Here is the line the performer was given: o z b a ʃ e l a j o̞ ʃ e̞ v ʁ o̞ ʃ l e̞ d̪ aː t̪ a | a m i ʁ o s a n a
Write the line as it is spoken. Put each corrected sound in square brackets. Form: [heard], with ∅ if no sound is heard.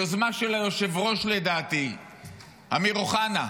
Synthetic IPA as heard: o z [m] a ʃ e l a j o̞ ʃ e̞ v ʁ o̞ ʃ l e̞ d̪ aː t̪ [i] | a m i ʁ o [χ] a n a